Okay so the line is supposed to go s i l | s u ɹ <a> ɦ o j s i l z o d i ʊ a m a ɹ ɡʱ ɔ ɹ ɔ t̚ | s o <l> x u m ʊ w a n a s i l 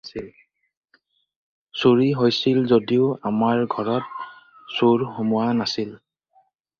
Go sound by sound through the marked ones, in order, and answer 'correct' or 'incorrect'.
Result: incorrect: i, incorrect: ɹ

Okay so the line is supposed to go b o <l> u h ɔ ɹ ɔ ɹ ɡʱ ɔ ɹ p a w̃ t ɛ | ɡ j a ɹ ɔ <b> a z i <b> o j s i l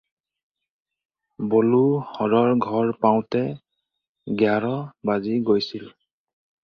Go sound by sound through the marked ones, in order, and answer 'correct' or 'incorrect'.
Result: correct, correct, incorrect: ɡ

